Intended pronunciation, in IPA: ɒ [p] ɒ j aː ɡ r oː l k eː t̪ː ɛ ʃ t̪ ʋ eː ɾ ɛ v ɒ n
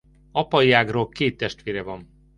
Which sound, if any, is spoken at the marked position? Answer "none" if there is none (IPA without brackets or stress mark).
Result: p